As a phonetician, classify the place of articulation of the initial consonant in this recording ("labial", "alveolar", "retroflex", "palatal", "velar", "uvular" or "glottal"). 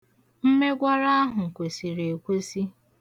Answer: labial